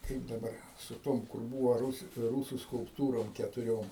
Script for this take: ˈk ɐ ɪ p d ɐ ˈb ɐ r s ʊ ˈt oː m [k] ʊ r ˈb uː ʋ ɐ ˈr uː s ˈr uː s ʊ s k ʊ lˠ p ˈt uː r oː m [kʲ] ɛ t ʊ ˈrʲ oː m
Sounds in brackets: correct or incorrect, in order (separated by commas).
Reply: correct, correct